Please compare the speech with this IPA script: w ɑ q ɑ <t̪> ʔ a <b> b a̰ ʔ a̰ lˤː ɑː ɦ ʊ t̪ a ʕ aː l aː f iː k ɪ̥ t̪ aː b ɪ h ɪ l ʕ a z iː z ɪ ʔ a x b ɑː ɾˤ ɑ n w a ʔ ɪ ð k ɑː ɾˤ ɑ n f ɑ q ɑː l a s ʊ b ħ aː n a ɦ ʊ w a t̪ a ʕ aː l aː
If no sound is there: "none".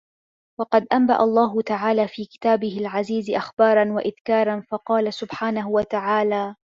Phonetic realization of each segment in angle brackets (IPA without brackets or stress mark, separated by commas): d̪, m